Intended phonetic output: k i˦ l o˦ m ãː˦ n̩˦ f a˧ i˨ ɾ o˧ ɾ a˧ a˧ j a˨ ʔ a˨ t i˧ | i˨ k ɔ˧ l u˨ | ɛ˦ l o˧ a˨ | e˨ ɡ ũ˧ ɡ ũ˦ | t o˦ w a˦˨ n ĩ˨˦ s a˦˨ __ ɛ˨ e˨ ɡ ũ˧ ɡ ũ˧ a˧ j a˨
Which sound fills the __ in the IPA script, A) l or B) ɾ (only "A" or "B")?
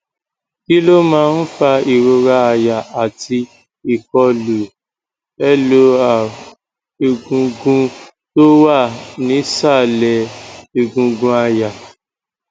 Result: A